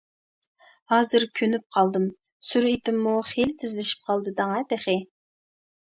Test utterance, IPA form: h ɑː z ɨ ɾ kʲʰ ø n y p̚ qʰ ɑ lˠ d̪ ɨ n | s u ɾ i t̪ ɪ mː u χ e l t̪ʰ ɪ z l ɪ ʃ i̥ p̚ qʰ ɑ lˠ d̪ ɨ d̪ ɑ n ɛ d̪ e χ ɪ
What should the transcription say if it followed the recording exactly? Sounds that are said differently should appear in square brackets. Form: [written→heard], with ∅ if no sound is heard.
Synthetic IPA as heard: h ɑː z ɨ ɾ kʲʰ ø n y p̚ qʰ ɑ lˠ d̪ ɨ [n→m] | s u ɾ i t̪ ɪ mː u χ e l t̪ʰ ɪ z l ɪ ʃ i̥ p̚ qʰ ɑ lˠ d̪ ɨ d̪ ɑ [n→ŋ] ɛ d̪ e χ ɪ